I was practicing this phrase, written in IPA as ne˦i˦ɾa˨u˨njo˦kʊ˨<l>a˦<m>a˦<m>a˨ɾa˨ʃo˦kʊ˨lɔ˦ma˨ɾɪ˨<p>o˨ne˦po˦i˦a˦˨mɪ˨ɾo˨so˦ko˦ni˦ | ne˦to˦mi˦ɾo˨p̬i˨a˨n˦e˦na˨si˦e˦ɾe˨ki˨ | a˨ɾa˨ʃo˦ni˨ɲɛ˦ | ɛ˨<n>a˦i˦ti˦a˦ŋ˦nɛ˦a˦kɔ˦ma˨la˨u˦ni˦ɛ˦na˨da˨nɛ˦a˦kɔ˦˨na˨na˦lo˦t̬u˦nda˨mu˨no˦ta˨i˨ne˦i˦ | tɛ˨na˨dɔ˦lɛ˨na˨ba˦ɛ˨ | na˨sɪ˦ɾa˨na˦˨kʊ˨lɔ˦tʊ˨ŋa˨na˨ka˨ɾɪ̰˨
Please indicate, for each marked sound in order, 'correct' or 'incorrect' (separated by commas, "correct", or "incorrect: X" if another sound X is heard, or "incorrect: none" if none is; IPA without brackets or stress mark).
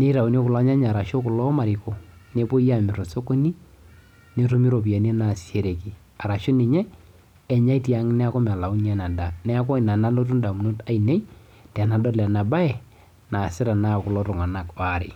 correct, incorrect: ɲ, incorrect: ɲ, incorrect: k, incorrect: ɲ